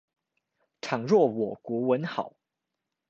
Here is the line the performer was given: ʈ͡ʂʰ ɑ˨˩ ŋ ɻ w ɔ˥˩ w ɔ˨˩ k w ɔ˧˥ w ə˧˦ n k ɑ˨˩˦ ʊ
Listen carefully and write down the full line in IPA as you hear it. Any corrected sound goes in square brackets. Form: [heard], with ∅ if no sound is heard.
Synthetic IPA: ʈ͡ʂʰ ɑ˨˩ ŋ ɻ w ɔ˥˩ w ɔ˨˩ k w ɔ˧˥ w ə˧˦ n [x] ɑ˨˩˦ ʊ

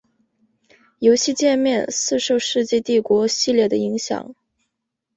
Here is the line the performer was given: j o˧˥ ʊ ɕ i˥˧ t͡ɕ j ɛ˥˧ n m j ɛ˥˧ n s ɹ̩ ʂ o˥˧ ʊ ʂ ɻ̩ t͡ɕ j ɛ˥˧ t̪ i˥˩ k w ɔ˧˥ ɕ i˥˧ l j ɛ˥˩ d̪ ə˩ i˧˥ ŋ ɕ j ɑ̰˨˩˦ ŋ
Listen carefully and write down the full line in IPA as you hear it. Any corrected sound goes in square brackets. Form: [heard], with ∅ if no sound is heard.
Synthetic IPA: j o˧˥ ʊ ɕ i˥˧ t͡ɕ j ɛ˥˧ n m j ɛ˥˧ n s ɹ̩ ʂ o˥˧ ʊ ʂ ɻ̩ t͡ɕ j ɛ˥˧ t̪ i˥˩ k w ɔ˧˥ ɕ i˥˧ l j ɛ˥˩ d̪ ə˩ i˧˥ ŋ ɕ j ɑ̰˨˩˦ ŋ

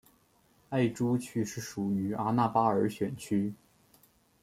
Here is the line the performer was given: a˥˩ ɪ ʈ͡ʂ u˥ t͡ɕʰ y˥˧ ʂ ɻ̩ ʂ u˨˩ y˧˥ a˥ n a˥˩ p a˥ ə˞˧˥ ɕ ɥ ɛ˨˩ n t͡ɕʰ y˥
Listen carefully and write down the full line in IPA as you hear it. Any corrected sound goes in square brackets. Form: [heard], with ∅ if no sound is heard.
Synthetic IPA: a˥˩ ɪ ʈ͡ʂ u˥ t͡ɕʰ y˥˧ ʂ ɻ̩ ʂ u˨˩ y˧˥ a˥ n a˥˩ p a˥ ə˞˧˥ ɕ ɥ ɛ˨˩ n t͡ɕʰ y˥

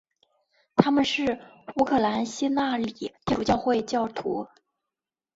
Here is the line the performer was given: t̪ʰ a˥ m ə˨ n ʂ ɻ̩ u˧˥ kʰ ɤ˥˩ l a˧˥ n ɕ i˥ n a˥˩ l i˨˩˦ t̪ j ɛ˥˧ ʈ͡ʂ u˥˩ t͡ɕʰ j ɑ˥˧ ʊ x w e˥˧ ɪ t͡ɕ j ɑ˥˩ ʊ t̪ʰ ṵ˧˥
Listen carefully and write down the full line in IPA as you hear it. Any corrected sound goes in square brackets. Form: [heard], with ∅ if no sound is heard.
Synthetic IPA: t̪ʰ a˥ m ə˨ n ʂ ɻ̩ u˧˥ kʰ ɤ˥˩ l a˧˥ n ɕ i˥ n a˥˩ l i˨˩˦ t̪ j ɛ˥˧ ʈ͡ʂ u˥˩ [t͡ɕ] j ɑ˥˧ ʊ x w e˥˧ ɪ t͡ɕ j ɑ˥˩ ʊ t̪ʰ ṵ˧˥

